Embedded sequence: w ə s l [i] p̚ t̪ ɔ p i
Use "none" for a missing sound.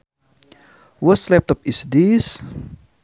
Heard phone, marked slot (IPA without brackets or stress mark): ɛ